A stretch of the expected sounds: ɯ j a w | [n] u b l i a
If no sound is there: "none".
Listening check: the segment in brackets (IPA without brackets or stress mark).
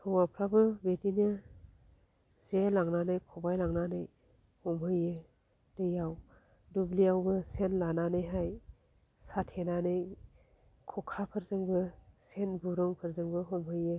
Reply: d